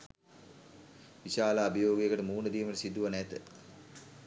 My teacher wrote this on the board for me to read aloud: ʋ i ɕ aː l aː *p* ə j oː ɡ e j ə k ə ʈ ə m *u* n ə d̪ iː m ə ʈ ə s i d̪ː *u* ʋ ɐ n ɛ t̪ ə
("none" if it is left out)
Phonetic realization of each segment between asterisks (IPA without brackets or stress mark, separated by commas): b, uː, u